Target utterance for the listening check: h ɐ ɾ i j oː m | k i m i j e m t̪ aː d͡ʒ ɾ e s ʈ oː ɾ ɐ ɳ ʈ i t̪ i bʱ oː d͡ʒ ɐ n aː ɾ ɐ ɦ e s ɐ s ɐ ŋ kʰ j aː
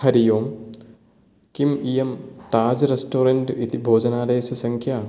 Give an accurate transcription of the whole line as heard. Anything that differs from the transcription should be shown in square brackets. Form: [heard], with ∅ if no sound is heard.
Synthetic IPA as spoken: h ɐ ɾ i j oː m | k i m i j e m t̪ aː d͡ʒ ɾ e s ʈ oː ɾ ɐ ɳ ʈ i t̪ i bʱ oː d͡ʒ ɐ n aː ɾ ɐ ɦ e s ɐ s ɐ ŋ kʰ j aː

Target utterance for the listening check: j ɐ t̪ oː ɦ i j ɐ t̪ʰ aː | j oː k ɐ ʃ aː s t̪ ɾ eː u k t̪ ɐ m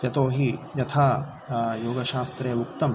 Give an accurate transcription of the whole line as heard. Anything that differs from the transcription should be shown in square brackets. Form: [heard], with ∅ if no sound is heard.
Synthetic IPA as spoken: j ɐ t̪ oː ɦ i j ɐ t̪ʰ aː | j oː [ɡ] ɐ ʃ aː s t̪ ɾ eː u k t̪ ɐ m

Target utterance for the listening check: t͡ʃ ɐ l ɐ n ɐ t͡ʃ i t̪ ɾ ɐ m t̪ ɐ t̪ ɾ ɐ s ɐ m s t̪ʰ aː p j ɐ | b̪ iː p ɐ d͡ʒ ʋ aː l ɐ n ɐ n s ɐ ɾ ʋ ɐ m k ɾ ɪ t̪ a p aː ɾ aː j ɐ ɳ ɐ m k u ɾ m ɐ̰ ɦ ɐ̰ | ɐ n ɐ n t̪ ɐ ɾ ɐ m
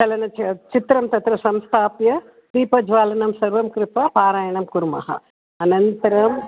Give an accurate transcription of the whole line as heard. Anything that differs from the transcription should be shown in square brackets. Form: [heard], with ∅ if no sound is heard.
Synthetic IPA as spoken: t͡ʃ ɐ l ɐ n ɐ t͡ʃ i t̪ ɾ ɐ m t̪ ɐ t̪ ɾ ɐ s ɐ m s t̪ʰ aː p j ɐ | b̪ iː p ɐ d͡ʒ ʋ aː l ɐ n ɐ [m] s ɐ ɾ ʋ ɐ m k ɾ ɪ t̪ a p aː ɾ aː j ɐ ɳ ɐ m k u ɾ m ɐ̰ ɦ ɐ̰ | ɐ n ɐ n t̪ ɐ ɾ ɐ m

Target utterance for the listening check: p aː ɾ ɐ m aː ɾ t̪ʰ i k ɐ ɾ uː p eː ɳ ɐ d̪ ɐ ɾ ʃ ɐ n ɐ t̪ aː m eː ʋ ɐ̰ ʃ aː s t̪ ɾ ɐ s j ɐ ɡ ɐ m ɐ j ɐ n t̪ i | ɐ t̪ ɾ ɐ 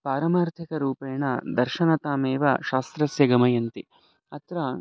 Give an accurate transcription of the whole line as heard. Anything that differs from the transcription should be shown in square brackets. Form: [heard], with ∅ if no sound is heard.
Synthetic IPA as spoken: p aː ɾ ɐ m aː ɾ t̪ʰ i k ɐ ɾ uː p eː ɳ ɐ d̪ ɐ ɾ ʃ ɐ n ɐ t̪ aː m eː ʋ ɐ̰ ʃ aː s t̪ ɾ ɐ s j ɐ ɡ ɐ m ɐ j ɐ n t̪ i | ɐ t̪ ɾ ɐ

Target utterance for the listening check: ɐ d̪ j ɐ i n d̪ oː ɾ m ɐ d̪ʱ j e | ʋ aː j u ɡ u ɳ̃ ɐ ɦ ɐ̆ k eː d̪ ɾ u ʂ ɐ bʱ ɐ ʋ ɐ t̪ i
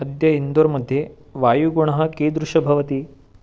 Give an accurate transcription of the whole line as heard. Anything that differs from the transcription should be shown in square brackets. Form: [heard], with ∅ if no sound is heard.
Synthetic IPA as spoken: ɐ d̪ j ɐ i n d̪ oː ɾ m ɐ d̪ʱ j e | ʋ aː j u ɡ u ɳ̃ ɐ ɦ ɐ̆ k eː d̪ ɾ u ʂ ɐ bʱ ɐ ʋ ɐ t̪ i

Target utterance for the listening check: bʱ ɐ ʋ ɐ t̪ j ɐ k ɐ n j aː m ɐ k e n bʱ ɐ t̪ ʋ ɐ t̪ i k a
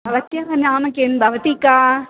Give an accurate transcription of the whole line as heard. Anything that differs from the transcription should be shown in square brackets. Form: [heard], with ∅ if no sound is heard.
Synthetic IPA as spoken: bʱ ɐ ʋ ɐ t̪ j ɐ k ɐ n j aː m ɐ k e n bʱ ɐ [∅] ʋ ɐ t̪ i k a

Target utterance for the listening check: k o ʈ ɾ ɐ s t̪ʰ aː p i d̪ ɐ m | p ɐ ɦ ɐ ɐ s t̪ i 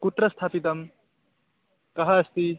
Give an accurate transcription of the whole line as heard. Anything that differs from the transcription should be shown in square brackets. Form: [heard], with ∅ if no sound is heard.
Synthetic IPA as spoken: k [u] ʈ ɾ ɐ s t̪ʰ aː p i [t̪] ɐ m | [k] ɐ ɦ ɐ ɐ s t̪ i

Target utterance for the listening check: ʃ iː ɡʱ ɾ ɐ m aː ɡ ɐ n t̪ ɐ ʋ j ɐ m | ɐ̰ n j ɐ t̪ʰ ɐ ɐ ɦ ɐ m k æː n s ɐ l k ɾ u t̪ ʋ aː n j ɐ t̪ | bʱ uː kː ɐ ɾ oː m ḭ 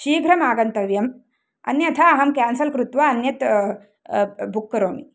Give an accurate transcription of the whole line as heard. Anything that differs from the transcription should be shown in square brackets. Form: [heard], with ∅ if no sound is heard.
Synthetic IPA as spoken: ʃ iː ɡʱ ɾ ɐ m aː ɡ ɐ n t̪ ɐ ʋ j ɐ m | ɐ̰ n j ɐ t̪ʰ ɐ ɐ ɦ ɐ m k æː n s ɐ l k ɾ u t̪ ʋ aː n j ɐ t̪ | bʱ [u] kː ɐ ɾ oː m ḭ

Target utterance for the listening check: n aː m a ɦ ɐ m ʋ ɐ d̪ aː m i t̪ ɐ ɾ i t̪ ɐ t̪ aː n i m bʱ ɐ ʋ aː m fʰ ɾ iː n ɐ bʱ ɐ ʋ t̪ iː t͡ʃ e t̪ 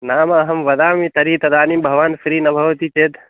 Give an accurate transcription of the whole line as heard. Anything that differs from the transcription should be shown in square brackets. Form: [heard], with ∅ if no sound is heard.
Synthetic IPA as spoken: n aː m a ɦ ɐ m ʋ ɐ d̪ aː m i t̪ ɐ ɾ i t̪ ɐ [d̪] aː n i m bʱ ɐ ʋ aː [n] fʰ ɾ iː n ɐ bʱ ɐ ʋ t̪ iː t͡ʃ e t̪

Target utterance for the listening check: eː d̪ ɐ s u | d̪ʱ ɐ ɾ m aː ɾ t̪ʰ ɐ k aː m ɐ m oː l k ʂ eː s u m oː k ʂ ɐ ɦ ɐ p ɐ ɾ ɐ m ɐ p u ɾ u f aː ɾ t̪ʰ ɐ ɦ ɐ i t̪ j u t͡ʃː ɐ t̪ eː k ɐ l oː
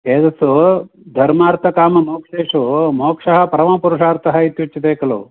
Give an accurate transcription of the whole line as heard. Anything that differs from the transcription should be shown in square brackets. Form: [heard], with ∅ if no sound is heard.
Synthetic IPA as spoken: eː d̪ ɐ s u | d̪ʱ ɐ ɾ m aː ɾ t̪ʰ ɐ k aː m ɐ m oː [∅] k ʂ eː [ʂ] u m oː k ʂ ɐ ɦ ɐ p ɐ ɾ ɐ m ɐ p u ɾ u [ʂ] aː ɾ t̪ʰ ɐ ɦ ɐ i t̪ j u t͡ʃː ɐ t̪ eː k ɐ l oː

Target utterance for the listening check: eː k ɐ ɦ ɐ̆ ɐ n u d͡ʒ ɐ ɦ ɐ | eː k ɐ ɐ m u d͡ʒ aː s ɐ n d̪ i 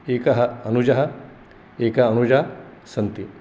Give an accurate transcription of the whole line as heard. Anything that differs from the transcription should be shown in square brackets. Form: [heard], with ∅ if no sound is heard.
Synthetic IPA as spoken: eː k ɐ ɦ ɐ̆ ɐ n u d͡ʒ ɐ ɦ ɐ | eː k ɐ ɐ [n] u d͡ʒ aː s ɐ n [t̪] i

